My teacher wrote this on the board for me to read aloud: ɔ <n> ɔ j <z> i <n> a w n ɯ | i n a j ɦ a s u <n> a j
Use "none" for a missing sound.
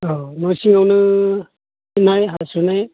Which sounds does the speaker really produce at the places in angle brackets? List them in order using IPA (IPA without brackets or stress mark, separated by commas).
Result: n, s, ŋ, n